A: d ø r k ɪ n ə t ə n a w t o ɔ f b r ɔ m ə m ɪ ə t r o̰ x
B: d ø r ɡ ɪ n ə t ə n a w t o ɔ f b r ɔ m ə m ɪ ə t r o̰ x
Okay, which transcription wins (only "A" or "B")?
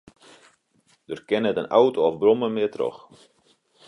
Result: A